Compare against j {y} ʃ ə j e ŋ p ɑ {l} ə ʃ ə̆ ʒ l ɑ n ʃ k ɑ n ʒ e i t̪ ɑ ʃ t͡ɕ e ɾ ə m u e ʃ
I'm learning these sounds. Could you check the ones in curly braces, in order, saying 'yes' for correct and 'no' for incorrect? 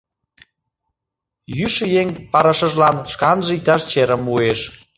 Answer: yes, no

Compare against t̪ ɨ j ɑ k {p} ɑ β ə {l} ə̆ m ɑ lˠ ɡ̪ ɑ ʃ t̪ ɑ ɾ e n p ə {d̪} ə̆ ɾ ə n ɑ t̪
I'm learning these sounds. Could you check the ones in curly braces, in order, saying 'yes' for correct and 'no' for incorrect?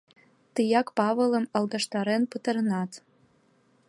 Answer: yes, yes, no

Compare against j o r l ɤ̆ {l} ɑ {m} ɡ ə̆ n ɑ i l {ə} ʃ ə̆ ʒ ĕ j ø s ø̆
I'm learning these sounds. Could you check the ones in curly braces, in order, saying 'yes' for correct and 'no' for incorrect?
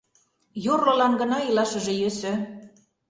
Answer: yes, no, no

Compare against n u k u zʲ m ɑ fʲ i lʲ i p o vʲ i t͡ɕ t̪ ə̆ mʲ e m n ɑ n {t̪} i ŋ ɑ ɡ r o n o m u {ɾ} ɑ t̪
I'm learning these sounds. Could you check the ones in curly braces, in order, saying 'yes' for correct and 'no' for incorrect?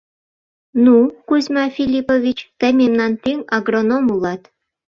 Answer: yes, no

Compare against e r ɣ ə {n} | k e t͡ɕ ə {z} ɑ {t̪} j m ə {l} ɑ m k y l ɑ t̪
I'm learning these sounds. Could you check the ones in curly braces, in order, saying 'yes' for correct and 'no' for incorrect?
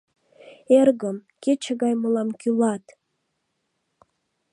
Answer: no, no, no, yes

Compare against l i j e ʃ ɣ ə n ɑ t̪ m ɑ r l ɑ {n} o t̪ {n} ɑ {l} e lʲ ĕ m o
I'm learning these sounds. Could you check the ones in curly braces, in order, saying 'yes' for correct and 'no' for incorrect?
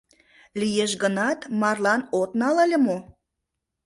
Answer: yes, yes, yes

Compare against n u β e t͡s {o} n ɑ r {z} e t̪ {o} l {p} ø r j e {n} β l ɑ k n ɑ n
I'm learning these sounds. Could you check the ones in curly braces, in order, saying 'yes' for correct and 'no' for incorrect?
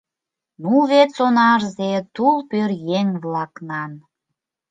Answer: yes, yes, no, yes, no

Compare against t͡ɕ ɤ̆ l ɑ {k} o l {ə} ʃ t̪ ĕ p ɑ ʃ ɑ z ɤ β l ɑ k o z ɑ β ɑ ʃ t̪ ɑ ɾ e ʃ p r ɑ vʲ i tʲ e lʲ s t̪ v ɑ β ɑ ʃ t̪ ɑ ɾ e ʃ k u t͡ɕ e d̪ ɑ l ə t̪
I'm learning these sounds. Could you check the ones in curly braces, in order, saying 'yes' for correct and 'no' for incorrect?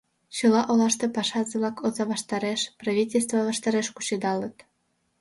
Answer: no, no

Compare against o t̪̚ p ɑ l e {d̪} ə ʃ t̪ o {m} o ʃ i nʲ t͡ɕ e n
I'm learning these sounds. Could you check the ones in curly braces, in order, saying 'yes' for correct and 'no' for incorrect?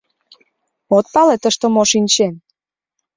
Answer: no, yes

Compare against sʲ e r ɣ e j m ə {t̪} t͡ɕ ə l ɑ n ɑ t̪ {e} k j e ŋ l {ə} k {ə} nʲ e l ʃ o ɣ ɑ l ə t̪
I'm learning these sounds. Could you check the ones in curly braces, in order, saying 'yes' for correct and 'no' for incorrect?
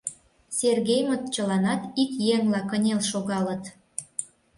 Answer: yes, no, no, yes

